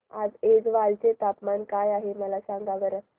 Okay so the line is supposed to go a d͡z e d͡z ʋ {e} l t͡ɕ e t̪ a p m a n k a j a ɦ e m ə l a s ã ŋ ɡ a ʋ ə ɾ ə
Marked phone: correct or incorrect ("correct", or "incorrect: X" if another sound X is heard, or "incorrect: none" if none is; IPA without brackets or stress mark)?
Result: incorrect: a